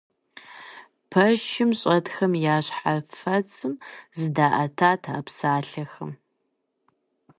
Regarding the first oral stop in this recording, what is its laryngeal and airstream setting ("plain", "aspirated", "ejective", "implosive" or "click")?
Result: aspirated